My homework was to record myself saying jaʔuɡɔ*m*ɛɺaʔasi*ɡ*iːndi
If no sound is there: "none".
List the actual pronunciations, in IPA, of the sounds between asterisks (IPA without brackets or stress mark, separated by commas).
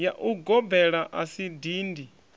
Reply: b, d